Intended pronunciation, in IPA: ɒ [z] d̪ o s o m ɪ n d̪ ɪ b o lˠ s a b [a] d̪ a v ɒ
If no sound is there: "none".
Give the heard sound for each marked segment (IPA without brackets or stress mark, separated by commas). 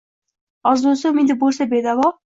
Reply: z, e